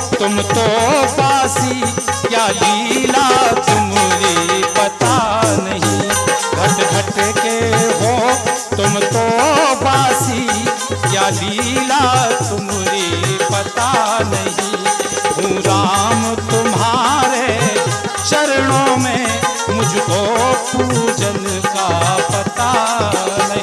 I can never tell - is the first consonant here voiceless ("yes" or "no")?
yes